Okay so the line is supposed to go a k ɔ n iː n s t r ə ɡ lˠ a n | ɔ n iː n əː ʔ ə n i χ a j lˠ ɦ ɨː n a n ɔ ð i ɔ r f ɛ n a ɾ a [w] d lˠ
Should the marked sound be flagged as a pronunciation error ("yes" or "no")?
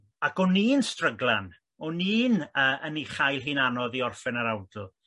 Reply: no